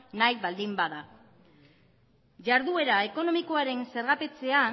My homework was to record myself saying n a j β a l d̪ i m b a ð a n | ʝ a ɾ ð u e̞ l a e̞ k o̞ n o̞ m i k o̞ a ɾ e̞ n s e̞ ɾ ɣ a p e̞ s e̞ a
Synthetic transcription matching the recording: n a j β a l d̪ i m b a ð a | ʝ a ɾ ð u e̞ ɾ a e̞ k o̞ n o̞ m i k o̞ a ɾ e̞ n s e̞ ɾ ɣ a p e̞ t͡s e̞ a